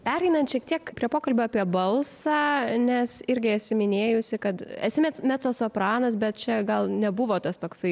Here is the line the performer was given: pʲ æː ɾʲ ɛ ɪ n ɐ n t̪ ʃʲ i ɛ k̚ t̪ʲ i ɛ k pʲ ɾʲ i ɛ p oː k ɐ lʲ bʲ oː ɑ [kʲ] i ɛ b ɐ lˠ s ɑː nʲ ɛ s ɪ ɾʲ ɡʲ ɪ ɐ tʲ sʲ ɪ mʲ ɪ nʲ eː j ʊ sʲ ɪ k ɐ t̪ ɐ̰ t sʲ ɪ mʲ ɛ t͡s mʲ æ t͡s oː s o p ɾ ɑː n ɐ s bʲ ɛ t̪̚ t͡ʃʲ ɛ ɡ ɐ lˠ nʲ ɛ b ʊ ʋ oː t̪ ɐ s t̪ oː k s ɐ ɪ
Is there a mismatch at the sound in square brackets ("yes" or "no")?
yes